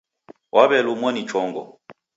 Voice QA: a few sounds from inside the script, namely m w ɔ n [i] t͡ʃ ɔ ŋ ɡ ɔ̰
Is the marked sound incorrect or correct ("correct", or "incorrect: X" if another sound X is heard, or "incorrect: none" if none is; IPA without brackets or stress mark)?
correct